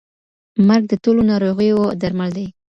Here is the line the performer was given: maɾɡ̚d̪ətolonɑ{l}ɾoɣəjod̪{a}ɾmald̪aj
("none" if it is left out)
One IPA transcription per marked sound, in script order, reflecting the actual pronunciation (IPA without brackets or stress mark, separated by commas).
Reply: none, a